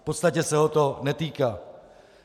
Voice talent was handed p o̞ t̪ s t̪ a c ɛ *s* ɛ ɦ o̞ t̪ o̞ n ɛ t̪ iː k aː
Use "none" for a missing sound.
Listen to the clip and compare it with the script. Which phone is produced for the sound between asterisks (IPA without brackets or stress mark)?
s